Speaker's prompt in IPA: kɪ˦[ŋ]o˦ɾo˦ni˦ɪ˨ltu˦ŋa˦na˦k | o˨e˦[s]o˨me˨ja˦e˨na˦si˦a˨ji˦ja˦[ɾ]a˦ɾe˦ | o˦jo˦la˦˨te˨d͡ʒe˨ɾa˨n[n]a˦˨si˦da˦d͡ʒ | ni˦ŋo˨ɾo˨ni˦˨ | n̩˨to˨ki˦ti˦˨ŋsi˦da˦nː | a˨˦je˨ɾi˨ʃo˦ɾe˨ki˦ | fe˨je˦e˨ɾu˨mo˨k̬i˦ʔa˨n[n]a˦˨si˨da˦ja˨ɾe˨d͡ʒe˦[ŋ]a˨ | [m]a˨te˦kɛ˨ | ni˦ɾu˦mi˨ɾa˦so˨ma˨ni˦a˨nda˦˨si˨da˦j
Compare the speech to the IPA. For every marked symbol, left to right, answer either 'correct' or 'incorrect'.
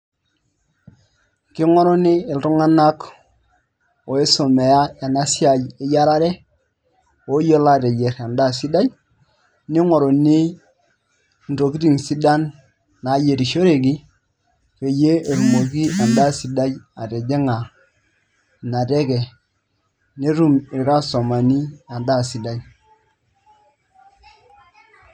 correct, correct, correct, incorrect, incorrect, correct, incorrect

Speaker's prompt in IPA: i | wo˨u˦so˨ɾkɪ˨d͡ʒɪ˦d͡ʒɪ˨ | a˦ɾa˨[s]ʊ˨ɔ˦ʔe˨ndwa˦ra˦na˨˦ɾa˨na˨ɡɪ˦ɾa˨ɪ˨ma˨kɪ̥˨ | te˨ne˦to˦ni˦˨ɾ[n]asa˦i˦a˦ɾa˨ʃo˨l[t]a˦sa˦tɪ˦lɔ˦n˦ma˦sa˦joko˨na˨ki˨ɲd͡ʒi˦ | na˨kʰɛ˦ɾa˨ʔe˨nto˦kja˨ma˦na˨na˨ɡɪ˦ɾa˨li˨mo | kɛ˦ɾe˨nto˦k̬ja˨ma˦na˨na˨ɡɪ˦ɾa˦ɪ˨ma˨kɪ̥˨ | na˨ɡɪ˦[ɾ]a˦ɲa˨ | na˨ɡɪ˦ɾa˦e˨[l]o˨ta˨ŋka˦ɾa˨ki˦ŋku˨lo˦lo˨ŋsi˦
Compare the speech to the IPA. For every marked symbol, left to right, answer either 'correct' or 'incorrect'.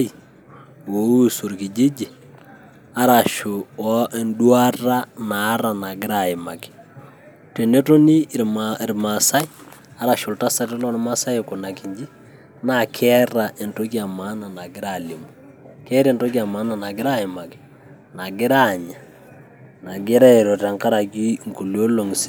incorrect, incorrect, correct, correct, incorrect

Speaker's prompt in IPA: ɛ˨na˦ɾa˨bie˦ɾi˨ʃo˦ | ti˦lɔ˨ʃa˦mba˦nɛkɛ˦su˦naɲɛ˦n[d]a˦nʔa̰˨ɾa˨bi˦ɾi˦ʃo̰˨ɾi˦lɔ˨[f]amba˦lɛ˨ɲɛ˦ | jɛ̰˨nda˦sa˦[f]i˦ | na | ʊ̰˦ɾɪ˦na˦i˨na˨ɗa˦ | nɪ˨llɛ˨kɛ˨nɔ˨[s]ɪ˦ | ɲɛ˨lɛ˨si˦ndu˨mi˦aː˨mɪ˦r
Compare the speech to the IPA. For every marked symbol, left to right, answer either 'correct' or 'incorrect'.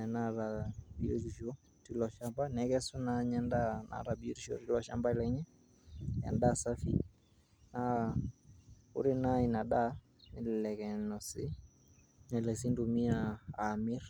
correct, incorrect, correct, correct

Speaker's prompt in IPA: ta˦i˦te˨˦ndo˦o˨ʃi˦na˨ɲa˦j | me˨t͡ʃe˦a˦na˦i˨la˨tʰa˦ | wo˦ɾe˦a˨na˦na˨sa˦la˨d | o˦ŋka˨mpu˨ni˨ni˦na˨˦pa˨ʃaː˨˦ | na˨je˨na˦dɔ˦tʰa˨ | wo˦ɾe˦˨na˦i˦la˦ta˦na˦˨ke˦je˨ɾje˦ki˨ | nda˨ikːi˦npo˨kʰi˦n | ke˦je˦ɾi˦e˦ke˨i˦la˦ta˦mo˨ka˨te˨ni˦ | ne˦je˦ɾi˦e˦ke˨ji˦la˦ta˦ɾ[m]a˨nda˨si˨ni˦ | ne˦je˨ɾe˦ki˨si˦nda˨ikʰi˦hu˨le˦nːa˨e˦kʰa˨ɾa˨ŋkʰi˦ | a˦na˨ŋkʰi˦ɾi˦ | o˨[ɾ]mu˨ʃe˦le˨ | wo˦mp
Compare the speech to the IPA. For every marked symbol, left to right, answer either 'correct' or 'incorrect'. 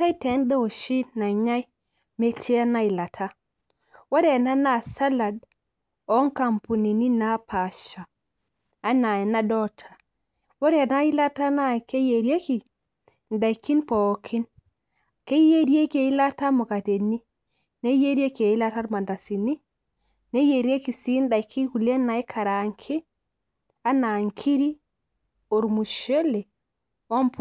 correct, correct

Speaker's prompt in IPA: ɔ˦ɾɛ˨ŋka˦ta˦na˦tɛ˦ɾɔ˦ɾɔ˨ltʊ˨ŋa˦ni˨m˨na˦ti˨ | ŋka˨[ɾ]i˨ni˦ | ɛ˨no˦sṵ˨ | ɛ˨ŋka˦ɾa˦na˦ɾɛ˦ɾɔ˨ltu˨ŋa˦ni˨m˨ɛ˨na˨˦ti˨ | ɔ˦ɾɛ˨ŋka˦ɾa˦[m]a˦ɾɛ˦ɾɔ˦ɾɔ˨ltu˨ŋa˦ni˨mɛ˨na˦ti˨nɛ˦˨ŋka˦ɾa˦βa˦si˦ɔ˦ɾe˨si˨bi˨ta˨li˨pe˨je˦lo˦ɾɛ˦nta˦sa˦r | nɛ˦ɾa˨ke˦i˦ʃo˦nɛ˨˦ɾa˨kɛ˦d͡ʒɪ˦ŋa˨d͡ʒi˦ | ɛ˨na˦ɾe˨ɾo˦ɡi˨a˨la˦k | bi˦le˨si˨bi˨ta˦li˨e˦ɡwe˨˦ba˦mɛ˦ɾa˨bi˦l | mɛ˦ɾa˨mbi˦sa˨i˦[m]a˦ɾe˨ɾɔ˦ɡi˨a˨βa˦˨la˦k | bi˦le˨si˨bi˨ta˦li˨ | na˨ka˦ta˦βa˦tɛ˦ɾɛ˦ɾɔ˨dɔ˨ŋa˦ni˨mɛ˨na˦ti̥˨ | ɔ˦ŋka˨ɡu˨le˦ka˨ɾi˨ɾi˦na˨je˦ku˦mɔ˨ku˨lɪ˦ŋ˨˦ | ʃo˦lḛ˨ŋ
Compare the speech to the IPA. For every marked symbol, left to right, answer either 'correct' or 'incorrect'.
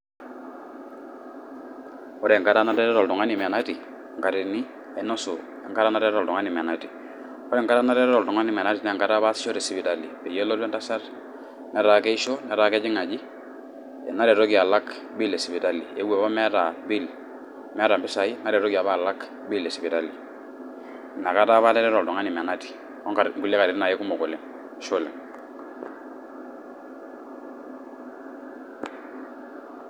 correct, incorrect, incorrect

